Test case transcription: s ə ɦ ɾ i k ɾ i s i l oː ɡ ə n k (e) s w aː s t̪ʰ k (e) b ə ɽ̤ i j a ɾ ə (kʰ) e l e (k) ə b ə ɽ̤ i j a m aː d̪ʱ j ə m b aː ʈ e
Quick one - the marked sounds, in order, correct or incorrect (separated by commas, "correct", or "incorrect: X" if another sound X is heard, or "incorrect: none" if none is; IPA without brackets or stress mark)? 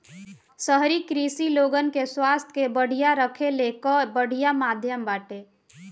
correct, correct, correct, correct